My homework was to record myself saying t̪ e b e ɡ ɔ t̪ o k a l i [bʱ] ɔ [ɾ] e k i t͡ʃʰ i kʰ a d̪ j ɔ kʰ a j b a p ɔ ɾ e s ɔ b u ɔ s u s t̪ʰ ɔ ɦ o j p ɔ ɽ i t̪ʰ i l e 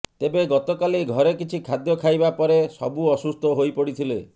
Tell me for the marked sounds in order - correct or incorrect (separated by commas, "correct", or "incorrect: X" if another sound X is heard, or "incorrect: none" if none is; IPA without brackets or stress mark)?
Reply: incorrect: ɡʱ, correct